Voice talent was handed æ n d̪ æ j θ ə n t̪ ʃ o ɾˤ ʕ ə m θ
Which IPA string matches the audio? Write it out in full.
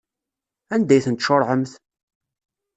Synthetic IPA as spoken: æ n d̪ æ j θ ə n t̪ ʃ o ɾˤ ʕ ə m θ